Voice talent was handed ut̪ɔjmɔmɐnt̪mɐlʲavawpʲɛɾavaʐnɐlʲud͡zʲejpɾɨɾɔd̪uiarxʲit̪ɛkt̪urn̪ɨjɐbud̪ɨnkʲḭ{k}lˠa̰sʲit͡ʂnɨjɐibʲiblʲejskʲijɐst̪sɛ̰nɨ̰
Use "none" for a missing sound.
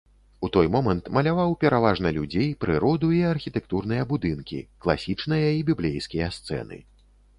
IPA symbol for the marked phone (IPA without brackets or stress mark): k